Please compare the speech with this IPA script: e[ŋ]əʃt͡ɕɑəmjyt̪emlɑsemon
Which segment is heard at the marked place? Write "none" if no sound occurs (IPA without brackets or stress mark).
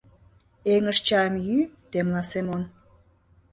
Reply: ŋ